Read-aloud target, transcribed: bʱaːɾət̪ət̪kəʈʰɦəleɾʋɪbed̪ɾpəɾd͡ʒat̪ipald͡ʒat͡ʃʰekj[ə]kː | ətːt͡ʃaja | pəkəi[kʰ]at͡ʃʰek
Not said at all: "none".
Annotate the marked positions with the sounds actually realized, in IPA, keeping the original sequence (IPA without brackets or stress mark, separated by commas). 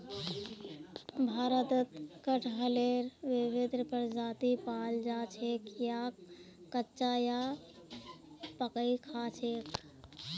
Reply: a, kʰ